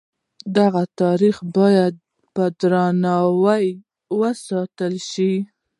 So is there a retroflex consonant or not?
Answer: no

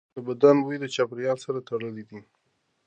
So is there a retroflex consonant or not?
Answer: yes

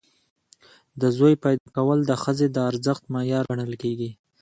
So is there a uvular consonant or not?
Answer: no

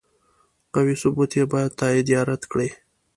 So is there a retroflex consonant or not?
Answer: yes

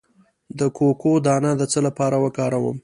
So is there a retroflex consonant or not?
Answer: no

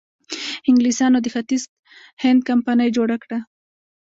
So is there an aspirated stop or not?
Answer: no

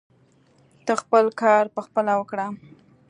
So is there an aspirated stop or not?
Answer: no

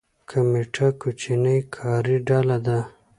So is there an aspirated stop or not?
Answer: yes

